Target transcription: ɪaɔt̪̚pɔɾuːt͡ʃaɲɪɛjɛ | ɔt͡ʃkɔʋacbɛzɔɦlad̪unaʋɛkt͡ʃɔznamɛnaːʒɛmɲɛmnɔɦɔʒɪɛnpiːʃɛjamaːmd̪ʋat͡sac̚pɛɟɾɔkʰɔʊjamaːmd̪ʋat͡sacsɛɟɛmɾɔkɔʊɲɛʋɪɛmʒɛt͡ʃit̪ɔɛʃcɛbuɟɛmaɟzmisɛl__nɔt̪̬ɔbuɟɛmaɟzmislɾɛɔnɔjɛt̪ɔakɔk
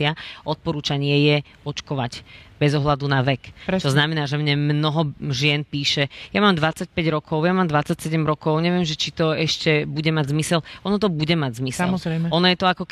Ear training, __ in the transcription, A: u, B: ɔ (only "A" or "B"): B